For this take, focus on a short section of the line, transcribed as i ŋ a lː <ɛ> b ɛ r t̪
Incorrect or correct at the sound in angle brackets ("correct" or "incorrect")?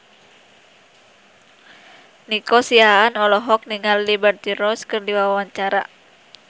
incorrect